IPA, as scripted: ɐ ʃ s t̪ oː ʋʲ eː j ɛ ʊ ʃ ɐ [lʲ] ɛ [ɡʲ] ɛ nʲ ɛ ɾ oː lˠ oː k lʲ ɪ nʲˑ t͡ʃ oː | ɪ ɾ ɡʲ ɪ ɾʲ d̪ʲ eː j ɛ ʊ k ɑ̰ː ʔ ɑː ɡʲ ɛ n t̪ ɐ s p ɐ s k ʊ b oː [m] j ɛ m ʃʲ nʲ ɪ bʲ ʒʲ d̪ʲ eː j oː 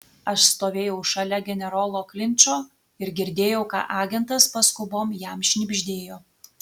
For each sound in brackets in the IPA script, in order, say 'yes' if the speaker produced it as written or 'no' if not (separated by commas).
yes, yes, yes